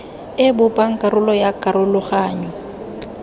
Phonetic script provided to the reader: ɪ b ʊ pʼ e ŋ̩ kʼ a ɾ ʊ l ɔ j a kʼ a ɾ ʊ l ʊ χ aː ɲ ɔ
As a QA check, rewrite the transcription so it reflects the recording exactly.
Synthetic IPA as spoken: ɪ b ʊ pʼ a ŋ̩ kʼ a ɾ ʊ l ɔ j a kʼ a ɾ ʊ l ʊ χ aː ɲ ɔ